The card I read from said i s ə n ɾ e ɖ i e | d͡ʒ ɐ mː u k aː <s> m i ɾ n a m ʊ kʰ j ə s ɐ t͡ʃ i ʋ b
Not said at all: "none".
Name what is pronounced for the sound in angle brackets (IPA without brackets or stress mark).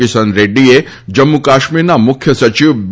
ʃ